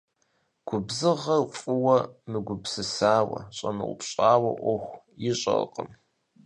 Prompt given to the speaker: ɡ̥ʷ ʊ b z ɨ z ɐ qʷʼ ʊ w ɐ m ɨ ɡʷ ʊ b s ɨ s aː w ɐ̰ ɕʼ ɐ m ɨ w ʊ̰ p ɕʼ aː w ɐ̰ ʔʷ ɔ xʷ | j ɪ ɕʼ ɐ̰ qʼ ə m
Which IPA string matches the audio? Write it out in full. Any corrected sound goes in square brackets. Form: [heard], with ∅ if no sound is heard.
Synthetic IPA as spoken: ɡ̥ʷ ʊ b z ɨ [ʁ] ɐ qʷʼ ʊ w ɐ m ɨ ɡʷ ʊ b s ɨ s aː w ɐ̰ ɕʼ ɐ [n] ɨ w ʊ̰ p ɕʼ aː w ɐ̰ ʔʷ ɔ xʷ | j ɪ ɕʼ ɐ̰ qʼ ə m